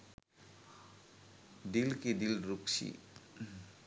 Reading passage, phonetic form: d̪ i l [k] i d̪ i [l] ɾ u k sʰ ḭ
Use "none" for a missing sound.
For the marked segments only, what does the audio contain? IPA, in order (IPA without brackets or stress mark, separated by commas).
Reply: k, l